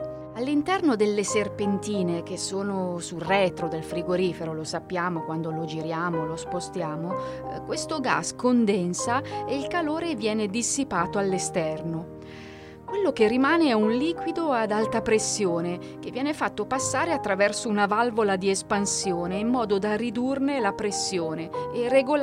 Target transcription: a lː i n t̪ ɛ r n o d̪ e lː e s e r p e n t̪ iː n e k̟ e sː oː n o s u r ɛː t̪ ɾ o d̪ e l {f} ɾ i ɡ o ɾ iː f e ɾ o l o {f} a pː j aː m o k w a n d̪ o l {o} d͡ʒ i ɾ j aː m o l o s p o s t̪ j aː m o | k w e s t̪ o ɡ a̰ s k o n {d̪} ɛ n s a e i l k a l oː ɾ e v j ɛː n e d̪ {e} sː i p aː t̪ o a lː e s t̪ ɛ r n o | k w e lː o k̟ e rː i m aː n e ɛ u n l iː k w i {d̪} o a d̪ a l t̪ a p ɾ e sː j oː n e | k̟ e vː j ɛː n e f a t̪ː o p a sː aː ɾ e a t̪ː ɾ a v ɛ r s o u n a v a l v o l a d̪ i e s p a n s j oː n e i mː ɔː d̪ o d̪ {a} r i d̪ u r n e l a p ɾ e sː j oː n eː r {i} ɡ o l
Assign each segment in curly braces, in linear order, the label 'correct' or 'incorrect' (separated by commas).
correct, incorrect, correct, correct, incorrect, correct, correct, incorrect